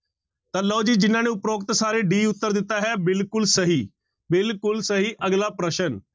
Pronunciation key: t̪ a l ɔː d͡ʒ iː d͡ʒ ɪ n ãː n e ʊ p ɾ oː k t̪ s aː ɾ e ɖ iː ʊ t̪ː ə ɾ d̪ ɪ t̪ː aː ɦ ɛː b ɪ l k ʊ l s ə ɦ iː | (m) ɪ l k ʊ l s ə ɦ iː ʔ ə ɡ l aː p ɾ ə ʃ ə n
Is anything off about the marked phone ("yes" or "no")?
yes